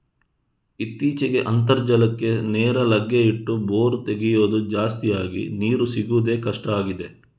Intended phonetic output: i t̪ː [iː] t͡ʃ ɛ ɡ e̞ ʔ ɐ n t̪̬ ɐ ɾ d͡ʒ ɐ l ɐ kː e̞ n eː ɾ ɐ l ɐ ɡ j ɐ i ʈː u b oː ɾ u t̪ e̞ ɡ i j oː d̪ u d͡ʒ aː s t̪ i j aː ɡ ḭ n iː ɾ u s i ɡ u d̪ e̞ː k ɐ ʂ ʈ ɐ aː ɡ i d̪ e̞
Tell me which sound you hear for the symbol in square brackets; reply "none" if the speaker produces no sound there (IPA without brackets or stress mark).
iː